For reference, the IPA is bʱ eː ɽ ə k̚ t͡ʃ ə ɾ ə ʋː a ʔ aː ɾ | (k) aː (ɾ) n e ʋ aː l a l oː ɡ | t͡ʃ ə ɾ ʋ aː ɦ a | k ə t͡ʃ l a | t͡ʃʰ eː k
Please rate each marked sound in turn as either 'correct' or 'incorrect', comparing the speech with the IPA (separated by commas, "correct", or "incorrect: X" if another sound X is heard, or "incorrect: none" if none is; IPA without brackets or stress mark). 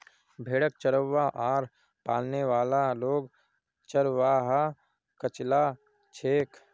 incorrect: p, incorrect: l